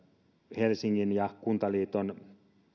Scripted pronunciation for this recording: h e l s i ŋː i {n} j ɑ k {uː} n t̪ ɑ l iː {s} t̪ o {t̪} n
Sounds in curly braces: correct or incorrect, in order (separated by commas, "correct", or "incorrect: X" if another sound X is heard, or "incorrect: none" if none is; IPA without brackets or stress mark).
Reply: correct, incorrect: u, incorrect: none, incorrect: none